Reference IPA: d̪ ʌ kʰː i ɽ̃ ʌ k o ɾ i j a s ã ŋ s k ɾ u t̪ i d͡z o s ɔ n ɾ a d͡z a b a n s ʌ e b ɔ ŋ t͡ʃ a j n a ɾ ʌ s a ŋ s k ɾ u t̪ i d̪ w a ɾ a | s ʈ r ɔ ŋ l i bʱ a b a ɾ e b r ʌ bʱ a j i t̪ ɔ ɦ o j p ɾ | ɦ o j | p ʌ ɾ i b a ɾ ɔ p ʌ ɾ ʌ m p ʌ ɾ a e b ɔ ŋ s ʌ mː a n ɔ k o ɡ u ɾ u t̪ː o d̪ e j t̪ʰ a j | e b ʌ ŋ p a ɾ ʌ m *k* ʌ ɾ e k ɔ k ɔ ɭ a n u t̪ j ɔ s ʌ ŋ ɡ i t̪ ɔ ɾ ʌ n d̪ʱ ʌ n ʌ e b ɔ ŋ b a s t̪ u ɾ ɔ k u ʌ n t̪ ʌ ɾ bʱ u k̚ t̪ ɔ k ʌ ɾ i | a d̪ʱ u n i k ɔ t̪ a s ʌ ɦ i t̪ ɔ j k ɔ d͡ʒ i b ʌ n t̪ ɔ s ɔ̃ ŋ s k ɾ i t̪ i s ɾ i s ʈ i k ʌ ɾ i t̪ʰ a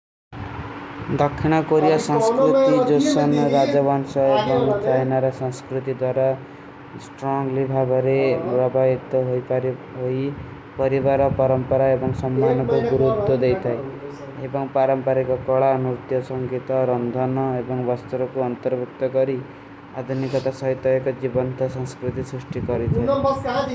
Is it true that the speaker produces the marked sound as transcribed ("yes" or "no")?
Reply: no